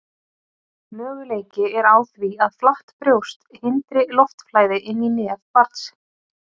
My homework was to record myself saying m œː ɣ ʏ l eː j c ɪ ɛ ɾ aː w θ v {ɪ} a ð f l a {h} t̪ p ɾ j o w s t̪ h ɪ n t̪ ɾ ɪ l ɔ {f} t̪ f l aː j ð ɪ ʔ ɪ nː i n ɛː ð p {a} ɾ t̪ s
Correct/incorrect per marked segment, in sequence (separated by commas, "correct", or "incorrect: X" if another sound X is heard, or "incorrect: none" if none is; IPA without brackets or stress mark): incorrect: i, correct, correct, correct